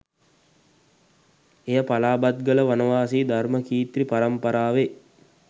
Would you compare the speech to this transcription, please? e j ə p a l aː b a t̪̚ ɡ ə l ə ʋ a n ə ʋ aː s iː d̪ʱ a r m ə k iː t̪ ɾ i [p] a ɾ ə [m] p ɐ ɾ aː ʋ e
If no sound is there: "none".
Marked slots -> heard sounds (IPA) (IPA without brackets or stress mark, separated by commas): p, m